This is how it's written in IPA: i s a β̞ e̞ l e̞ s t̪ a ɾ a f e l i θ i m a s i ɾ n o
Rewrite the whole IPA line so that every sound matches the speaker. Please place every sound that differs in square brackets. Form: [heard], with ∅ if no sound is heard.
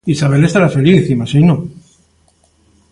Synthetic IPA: i s a β̞ e̞ l e̞ s t̪ a ɾ a f e l i θ i m a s i [∅] n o